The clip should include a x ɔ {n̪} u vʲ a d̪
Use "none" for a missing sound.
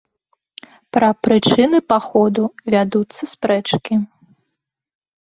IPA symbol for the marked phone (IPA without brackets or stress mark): d̪